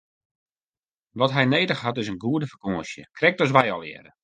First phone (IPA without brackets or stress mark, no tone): ʋ